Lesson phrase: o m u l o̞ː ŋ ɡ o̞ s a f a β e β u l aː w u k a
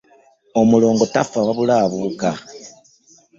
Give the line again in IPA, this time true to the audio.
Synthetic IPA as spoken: o m u l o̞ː ŋ ɡ o̞ t a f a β a β u l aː β u k a